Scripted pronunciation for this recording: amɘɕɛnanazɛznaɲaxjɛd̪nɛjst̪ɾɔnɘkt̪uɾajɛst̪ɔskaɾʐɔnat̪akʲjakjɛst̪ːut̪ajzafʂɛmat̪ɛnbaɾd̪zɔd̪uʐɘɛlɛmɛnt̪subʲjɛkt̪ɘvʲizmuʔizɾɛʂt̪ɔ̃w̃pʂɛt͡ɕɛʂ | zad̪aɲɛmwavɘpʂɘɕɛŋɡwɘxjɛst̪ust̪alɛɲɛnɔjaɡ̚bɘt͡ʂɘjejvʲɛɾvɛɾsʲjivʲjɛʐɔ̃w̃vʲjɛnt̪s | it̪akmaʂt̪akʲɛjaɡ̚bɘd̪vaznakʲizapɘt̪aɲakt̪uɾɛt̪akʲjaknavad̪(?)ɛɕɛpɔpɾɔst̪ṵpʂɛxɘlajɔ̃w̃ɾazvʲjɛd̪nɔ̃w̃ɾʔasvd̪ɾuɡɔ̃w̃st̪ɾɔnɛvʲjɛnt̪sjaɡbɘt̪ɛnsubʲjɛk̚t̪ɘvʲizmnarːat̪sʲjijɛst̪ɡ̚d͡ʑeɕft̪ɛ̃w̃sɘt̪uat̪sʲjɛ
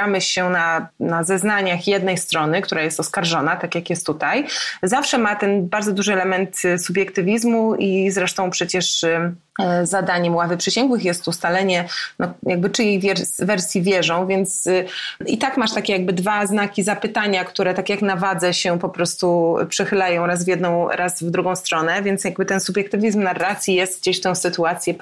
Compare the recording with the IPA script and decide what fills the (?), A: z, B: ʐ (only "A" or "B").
A